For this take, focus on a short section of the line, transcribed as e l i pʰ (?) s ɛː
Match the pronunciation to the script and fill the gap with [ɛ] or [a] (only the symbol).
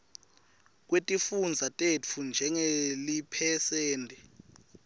ɛ